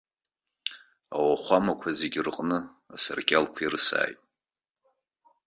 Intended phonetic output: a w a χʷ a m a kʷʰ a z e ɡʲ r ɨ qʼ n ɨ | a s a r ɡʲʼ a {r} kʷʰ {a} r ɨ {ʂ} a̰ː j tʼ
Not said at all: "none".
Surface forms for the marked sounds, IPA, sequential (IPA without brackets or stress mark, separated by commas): l, i, s